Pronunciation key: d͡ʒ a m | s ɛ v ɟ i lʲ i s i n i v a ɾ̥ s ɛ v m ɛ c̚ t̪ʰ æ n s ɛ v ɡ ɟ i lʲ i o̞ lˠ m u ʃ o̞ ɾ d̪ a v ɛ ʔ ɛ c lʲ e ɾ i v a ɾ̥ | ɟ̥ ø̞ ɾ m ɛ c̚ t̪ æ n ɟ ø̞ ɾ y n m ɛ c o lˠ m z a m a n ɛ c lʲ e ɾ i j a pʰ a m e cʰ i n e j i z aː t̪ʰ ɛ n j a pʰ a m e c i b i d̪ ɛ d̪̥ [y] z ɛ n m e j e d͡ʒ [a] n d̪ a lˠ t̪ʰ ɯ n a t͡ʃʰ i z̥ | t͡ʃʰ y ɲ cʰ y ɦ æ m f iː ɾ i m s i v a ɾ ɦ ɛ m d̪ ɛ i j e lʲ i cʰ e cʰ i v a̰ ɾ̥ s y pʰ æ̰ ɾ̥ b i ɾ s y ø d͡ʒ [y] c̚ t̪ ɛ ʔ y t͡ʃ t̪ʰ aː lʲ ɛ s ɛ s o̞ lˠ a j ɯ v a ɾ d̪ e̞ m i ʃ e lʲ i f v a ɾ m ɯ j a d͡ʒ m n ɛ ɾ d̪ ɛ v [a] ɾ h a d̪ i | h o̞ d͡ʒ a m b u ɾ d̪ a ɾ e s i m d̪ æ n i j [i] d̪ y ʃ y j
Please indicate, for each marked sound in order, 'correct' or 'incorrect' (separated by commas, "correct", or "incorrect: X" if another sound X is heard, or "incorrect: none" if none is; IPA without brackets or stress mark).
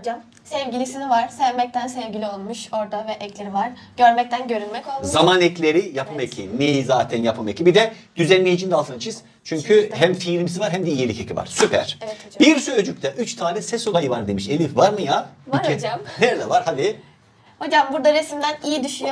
correct, incorrect: i, correct, correct, correct